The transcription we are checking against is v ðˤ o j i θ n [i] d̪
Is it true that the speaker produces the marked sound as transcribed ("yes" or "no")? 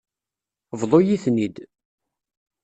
yes